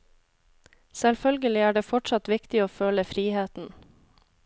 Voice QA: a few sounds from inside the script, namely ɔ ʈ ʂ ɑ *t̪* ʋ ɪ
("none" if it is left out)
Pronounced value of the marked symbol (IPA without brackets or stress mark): t̪